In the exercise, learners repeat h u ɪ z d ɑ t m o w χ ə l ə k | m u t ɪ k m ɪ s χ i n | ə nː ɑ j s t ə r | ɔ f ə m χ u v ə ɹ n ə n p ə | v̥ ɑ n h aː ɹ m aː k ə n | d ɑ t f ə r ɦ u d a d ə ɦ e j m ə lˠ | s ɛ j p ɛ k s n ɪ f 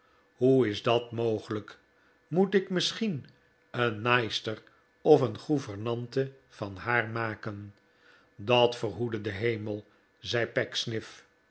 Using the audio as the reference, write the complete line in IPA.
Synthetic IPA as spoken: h u ɪ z d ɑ t m o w χ ə l ə k | m u t ɪ k m ɪ s χ i n | ə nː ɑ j s t ə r | ɔ f ə n χ u v ə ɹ n ɑ n t ə | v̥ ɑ n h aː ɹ m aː k ə n | d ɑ t f ə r ɦ u d ə d ə ɦ e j m ə lˠ | z ɛ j p ɛ k s n ɪ f